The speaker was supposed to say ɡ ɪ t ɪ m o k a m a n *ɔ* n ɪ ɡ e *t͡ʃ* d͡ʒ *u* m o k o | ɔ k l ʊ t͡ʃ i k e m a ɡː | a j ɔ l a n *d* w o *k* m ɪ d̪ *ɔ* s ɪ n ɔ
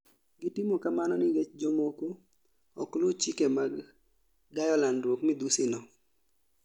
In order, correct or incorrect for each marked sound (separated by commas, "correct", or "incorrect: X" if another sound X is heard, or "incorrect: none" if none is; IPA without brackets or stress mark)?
correct, correct, incorrect: o, correct, correct, incorrect: u